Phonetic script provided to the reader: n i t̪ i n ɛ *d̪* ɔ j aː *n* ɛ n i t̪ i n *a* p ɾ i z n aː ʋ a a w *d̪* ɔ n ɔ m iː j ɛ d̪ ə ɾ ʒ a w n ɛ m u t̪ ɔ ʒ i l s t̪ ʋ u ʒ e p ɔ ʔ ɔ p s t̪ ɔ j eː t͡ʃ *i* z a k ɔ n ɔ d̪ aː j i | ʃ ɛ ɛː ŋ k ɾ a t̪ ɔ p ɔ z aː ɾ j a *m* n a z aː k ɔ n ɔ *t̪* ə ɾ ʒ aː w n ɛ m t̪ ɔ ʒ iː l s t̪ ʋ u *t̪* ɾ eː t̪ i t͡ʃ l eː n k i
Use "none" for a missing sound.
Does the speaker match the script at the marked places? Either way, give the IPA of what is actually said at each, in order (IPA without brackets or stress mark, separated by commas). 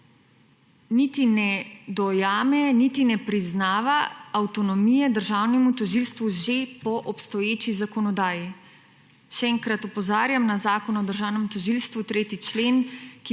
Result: d̪, m, ɛ, t̪, i, m, d̪, t̪